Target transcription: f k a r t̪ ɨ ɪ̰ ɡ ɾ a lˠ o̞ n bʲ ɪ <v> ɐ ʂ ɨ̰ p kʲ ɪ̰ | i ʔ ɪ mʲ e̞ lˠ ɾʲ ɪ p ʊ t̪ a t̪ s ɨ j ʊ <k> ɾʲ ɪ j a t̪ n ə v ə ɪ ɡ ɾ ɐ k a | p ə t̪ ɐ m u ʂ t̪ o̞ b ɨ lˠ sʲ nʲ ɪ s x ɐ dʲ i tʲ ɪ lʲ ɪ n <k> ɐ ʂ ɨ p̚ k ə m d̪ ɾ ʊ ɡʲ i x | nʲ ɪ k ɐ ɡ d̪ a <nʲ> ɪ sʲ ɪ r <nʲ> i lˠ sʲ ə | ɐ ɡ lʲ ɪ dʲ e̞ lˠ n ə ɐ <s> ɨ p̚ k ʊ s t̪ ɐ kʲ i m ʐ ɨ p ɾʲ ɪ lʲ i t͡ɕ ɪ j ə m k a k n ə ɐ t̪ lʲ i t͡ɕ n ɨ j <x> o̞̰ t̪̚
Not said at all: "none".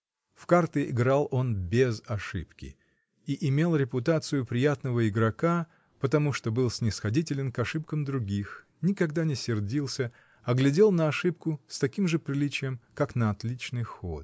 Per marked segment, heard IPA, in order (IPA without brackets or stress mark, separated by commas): z, p, k, nʲ, dʲ, ʂ, x